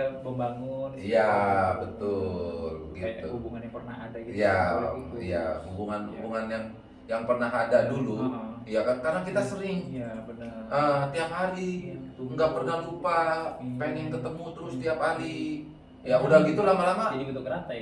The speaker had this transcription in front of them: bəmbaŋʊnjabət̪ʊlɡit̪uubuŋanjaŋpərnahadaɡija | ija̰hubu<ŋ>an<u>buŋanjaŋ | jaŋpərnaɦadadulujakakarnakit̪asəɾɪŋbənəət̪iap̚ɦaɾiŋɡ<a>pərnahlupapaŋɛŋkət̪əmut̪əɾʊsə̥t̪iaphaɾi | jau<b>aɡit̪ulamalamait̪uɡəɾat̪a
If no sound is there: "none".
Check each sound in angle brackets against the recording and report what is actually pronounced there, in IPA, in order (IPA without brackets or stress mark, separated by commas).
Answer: ŋ, u, a, d